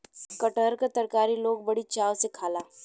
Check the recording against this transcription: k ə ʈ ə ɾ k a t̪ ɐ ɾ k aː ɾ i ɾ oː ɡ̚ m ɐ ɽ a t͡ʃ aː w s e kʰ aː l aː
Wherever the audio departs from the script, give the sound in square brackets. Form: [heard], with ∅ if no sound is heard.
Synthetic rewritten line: k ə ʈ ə ɾ k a t̪ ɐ ɾ k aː ɾ i [l] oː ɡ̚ [b] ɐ ɽ [i] t͡ʃ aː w s e kʰ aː l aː